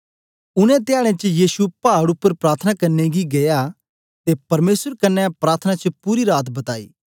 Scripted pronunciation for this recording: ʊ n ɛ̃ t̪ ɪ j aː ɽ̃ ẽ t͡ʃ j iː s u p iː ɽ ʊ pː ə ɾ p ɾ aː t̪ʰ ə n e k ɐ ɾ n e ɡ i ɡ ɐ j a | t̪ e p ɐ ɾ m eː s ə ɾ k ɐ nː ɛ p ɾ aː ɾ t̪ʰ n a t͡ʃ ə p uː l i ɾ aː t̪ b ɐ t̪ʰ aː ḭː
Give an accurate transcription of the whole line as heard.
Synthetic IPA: ʊ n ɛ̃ t̪ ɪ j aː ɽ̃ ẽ t͡ʃ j iː s u p aː ɽ ʊ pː ə ɾ p ɾ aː t̪ʰ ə n a k ɐ ɾ n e ɡ i ɡ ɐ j a | t̪ e p ɐ ɾ m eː s ə ɾ k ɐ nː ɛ p ɾ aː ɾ t̪ʰ n a t͡ʃ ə p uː ɾ i ɾ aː t̪ b ɐ t̪ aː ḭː